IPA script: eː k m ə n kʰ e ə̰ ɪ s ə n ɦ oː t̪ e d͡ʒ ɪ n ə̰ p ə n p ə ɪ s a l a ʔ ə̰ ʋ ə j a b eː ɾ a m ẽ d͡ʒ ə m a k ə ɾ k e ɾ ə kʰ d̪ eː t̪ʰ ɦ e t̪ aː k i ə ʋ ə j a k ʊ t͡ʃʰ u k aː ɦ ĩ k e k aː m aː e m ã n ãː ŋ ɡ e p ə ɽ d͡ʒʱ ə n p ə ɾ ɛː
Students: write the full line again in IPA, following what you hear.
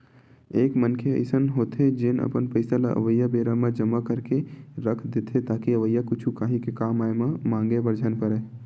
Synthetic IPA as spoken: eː k m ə n kʰ e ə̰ ɪ s ə n ɦ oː t̪ e d͡ʒ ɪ n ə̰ p ə n p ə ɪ s a l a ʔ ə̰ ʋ ə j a b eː ɾ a m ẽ d͡ʒ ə m a k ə ɾ k e ɾ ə kʰ d̪ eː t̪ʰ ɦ e t̪ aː k i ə ʋ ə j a k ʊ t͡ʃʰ u k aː ɦ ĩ k e k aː m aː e m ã m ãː ŋ ɡ e b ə ɾ d͡ʒʱ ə n p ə ɾ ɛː